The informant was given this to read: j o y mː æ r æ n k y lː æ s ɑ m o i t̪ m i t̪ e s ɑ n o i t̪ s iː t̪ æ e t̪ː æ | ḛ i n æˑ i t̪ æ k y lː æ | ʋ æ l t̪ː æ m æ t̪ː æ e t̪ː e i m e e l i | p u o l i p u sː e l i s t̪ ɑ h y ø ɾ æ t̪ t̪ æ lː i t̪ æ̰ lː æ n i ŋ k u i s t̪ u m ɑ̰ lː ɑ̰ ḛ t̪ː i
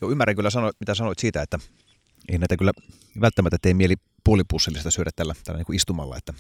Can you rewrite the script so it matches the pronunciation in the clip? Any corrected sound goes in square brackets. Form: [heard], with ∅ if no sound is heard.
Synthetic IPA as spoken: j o y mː æ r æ [ŋ] k y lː æ s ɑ [n] o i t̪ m i t̪ [æ] s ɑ n o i t̪ s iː t̪ æ e t̪ː æ | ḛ i n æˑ i t̪ æ k y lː æ | ʋ æ l t̪ː æ m æ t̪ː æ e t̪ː e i m [i] e l i | p u o l i p u sː e l i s t̪ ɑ [s] y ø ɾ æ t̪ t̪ æ lː [æ] t̪ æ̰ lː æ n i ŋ k u i s t̪ u m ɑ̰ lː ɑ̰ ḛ t̪ː [æ]